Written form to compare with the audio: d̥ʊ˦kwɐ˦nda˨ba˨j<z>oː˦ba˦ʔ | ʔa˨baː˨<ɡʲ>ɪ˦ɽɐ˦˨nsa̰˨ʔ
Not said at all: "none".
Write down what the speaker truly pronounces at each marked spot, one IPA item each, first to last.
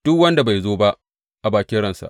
z, kʲ

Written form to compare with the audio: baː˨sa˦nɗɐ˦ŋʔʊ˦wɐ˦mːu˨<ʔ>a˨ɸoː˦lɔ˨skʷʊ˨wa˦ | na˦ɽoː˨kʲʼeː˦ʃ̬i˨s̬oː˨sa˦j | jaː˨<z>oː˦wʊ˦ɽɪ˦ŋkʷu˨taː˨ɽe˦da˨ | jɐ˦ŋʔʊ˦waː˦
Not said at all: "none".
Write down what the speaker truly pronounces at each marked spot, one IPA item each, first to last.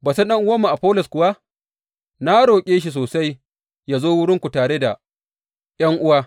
ʔ, z

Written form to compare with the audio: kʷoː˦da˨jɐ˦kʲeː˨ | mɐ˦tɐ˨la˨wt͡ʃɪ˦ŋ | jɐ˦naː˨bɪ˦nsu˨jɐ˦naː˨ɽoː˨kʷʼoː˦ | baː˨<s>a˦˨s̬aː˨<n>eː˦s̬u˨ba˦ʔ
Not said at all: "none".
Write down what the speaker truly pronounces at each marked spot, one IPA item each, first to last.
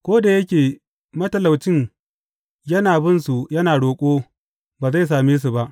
z, m

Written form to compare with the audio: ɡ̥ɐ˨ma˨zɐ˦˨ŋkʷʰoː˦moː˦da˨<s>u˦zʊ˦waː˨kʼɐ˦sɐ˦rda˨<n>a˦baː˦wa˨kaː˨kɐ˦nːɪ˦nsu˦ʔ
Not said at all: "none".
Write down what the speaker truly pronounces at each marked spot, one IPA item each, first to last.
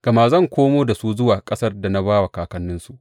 s, n

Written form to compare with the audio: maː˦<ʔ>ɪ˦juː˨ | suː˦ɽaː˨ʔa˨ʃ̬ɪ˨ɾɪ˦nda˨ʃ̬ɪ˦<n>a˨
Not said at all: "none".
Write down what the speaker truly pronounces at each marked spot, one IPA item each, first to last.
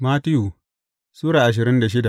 t, d

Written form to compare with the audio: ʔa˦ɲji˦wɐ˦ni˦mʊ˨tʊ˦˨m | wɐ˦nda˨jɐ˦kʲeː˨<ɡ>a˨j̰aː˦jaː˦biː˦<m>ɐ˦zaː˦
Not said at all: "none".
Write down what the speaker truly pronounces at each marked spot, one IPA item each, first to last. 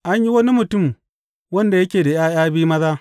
d, m

